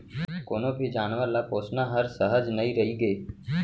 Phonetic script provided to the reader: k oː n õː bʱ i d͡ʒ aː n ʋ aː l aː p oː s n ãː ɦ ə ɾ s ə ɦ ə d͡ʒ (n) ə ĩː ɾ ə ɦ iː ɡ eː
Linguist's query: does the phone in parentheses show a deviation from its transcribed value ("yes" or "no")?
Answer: no